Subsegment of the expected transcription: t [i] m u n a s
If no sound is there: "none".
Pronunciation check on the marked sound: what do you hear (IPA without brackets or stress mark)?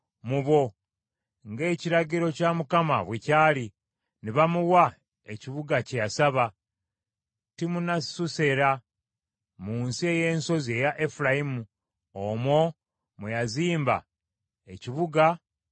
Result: i